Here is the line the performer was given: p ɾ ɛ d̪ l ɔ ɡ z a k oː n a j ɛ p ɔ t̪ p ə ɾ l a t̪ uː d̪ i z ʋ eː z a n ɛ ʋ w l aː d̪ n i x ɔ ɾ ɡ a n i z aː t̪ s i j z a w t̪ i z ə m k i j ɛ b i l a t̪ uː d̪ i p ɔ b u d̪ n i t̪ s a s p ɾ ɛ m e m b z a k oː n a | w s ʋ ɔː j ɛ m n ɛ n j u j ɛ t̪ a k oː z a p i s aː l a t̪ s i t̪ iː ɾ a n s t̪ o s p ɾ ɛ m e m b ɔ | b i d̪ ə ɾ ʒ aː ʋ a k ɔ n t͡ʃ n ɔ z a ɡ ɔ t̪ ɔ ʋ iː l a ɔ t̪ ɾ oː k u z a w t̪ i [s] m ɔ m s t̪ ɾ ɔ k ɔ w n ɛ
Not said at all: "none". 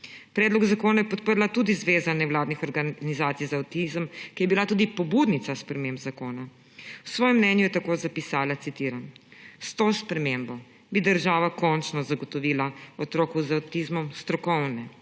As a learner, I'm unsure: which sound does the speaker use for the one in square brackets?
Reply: z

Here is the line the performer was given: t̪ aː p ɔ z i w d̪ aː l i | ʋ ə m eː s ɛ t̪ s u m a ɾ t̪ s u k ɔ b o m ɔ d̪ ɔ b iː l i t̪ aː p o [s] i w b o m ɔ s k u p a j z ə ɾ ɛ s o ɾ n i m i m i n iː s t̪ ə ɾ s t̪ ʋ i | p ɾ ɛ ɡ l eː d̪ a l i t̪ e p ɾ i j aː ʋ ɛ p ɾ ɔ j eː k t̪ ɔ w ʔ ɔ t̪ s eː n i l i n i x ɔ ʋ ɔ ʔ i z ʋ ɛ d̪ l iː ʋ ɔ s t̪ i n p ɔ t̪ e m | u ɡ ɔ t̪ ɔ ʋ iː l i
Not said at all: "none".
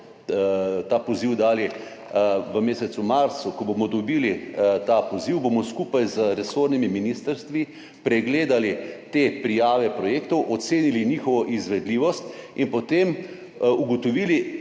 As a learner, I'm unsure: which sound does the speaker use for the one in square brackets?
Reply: z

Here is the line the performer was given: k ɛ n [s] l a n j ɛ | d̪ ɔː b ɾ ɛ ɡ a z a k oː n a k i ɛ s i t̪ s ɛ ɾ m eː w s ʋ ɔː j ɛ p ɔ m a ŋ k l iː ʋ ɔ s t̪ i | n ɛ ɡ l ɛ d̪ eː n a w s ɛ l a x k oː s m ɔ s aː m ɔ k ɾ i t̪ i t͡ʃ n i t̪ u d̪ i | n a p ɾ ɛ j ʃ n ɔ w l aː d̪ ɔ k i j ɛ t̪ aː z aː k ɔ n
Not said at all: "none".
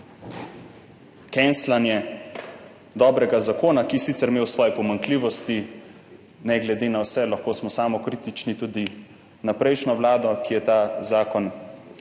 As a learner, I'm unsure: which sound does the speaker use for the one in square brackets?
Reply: s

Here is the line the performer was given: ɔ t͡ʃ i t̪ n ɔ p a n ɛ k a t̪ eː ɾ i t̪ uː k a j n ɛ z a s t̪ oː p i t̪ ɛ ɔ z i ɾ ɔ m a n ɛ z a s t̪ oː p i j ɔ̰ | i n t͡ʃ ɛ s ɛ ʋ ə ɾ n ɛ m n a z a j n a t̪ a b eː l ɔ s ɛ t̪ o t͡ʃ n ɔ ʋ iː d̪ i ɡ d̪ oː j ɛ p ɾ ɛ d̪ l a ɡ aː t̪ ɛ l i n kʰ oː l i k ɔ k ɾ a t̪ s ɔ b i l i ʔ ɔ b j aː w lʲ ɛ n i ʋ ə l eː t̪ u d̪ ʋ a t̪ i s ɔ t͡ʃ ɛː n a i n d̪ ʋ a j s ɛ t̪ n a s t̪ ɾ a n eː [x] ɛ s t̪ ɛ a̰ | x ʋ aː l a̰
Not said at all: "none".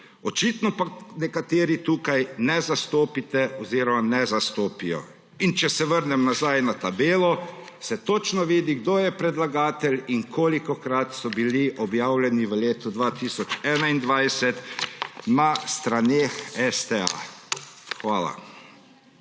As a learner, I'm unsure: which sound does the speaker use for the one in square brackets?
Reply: x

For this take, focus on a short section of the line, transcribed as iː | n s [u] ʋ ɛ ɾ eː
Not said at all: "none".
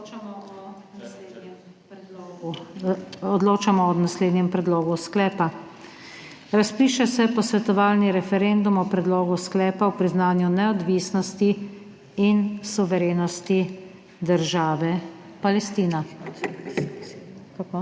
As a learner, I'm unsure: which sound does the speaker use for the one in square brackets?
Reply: u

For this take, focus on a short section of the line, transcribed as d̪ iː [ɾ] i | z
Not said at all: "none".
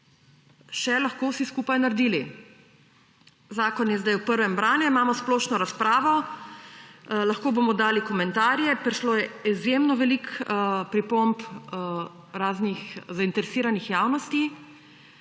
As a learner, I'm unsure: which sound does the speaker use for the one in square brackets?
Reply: l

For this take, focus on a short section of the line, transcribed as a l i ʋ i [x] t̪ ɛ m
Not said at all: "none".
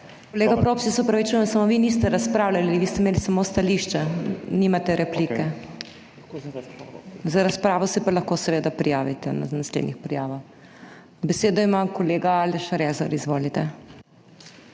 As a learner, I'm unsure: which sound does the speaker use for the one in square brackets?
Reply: s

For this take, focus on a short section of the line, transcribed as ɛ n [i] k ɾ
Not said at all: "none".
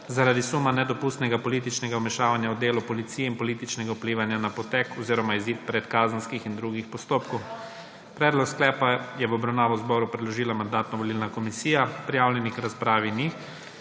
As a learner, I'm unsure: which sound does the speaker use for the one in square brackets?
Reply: i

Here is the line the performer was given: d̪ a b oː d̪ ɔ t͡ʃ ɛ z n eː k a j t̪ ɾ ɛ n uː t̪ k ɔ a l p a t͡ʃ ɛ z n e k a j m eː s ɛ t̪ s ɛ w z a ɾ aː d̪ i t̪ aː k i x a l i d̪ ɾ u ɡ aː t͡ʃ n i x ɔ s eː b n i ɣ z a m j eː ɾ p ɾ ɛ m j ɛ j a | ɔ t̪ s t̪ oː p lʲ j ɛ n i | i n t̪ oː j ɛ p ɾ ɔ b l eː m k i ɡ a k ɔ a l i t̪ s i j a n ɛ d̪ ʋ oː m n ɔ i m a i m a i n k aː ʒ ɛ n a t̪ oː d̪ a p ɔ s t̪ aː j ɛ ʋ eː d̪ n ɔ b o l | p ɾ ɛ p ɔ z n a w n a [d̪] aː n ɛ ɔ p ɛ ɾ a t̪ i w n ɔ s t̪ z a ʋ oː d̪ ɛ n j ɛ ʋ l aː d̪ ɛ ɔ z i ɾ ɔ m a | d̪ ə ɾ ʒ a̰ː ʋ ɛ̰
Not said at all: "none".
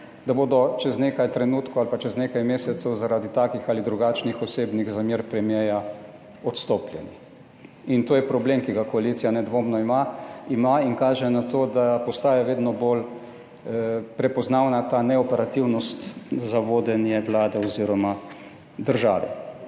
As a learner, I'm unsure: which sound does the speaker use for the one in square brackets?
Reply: t̪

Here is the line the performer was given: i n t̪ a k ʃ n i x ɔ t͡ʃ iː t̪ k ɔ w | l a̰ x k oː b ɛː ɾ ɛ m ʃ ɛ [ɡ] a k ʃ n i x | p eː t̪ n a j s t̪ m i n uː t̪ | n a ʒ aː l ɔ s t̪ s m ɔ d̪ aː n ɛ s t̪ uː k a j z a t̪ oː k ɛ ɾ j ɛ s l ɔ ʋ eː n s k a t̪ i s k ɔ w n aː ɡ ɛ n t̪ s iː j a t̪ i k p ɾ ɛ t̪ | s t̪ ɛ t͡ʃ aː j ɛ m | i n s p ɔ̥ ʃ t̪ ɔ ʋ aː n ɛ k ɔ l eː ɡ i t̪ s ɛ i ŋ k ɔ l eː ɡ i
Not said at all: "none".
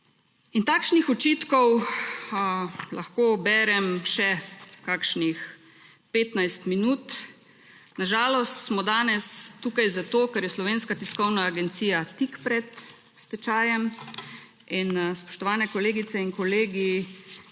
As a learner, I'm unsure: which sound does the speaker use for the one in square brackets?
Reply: k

